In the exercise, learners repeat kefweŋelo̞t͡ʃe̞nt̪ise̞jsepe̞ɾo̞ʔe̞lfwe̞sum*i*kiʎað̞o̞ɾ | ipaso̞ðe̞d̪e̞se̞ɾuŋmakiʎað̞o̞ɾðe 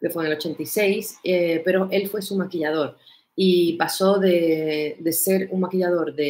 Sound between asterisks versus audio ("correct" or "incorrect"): incorrect